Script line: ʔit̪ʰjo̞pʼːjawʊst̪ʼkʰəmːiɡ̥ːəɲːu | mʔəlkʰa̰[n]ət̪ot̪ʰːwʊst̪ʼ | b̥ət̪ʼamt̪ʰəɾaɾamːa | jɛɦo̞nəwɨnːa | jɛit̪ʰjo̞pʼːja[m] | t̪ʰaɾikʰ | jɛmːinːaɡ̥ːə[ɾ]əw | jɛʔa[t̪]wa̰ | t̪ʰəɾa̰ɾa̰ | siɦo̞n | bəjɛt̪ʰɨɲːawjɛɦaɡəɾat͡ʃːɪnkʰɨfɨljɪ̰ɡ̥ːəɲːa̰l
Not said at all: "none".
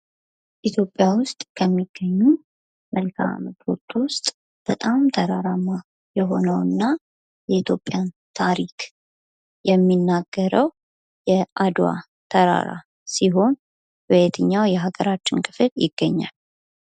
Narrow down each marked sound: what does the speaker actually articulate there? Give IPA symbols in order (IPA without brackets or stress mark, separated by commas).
m, n, ɾ, d̪